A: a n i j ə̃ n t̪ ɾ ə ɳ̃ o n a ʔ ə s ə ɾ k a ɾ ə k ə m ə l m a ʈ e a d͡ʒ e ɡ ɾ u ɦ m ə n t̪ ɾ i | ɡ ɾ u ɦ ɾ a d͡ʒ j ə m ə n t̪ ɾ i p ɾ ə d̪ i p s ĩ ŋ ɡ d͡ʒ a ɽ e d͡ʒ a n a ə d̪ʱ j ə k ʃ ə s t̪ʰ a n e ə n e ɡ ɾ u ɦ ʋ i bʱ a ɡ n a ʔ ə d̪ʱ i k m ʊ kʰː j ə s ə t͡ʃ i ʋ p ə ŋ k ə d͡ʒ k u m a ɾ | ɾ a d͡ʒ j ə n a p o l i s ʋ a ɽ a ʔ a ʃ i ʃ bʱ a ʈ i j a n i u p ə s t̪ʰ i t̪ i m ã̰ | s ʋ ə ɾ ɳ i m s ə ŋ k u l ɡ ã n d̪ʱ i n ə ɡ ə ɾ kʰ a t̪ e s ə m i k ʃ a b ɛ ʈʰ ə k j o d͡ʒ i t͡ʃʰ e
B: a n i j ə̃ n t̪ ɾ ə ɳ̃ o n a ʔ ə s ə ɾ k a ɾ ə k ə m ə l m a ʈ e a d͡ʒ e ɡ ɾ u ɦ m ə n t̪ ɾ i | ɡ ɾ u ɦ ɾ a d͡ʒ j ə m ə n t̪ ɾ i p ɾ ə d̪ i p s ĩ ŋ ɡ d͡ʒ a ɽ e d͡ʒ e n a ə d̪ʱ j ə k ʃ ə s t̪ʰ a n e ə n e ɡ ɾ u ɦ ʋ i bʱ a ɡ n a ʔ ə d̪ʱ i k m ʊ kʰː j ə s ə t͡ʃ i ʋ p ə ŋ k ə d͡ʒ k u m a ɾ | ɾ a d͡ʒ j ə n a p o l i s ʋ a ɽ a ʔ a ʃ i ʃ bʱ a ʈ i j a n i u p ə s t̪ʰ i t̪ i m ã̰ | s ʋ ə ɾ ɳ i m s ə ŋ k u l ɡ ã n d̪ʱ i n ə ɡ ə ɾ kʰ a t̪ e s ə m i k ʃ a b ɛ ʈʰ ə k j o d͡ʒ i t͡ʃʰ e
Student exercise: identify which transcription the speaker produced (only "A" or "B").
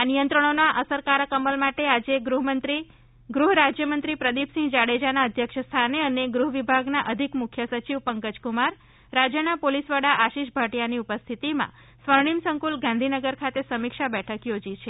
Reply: A